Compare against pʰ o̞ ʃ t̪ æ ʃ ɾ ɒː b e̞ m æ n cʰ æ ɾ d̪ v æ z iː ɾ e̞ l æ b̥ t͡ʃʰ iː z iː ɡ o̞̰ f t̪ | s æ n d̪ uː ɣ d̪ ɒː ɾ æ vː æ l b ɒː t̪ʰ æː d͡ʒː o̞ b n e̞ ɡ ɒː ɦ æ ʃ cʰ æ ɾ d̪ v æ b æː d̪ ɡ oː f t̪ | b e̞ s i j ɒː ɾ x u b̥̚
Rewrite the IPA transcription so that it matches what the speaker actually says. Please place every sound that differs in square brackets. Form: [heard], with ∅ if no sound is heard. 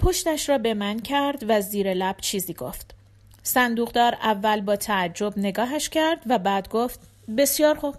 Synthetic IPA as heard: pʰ o̞ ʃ t̪ æ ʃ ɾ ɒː b e̞ m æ n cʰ æ ɾ d̪ v æ z iː ɾ e̞ l æ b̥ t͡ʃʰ iː z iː ɡ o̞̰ f t̪ | s æ n d̪ uː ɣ d̪ ɒː ɾ æ vː æ l b ɒː t̪ʰ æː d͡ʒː o̞ b n e̞ ɡ ɒː ɦ æ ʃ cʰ æ ɾ d̪ v æ b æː d̪ ɡ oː f t̪ | b e̞ s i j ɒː ɾ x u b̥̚